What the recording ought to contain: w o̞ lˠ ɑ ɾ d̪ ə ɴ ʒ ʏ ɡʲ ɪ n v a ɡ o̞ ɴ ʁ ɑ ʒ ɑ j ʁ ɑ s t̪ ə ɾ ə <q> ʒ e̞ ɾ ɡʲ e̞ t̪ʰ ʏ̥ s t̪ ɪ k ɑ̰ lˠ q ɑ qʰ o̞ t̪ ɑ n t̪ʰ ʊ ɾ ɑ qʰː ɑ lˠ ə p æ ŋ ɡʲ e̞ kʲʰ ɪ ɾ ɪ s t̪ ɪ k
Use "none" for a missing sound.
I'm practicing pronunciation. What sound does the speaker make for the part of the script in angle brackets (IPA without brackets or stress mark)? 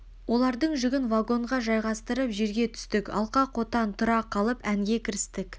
p